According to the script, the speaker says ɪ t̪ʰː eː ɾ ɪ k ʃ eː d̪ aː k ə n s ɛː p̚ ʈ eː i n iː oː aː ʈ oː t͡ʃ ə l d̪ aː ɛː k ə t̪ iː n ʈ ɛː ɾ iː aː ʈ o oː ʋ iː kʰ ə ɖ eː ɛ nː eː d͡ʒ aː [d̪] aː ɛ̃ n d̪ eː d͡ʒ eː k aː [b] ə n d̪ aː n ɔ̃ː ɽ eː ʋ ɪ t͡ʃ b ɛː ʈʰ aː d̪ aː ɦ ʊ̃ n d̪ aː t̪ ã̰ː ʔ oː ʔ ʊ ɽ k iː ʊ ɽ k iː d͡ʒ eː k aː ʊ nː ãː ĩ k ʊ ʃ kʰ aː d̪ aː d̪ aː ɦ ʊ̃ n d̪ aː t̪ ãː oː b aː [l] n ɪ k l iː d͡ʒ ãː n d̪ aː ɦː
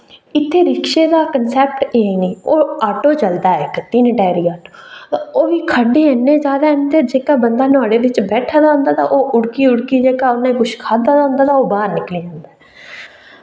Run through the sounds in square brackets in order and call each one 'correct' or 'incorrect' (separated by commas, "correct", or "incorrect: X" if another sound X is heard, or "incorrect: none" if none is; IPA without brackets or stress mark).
correct, correct, incorrect: ɾ